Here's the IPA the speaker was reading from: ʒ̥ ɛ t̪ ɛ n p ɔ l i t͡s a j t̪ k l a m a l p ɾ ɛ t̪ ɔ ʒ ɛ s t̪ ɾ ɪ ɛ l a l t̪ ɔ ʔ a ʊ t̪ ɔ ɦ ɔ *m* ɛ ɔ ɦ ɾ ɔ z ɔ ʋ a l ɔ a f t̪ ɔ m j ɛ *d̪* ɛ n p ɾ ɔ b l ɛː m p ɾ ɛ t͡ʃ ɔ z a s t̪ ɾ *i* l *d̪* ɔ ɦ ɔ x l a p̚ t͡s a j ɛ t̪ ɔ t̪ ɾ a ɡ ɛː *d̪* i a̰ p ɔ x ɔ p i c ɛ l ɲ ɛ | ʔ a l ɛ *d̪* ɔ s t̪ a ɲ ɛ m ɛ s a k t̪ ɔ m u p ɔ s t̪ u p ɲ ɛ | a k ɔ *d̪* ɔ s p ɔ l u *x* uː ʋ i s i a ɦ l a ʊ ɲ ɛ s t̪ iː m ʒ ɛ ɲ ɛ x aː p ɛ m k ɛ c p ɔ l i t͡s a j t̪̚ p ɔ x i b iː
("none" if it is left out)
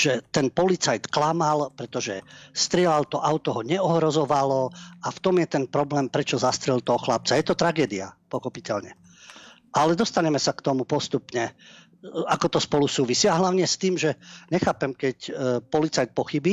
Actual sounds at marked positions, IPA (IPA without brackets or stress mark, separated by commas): ɲ, t̪, ɛ, t̪, d̪, d̪, t̪, s